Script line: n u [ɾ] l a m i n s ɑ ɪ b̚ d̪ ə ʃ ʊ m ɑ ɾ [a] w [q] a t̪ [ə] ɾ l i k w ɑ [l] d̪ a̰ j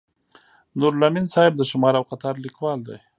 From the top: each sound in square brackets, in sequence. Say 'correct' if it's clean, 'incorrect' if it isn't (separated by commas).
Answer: correct, correct, correct, incorrect, correct